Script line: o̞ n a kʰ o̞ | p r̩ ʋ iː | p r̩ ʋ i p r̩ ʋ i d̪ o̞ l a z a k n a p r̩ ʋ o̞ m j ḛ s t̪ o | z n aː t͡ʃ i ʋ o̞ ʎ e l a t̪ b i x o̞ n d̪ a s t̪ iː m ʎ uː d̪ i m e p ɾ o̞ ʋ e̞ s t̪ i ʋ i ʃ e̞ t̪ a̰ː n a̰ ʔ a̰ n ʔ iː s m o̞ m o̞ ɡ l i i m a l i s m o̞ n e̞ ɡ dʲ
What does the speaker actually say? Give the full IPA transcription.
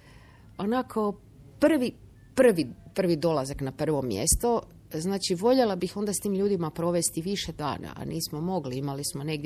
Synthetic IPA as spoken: o̞ n a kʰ o̞ | p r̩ ʋ i | p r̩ ʋ i p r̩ ʋ i d̪ o̞ l a z a k n a p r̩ ʋ o̞ m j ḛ s t̪ o | z n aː t͡ʃ i ʋ o̞ ʎ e l a b i x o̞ n d̪ a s t̪ iː m ʎ uː d̪ i m a p ɾ o̞ ʋ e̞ s t̪ i ʋ i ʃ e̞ d̪ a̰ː n a̰ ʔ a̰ n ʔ iː s m o̞ m o̞ ɡ l i i m a l i s m o̞ n e̞ ɡ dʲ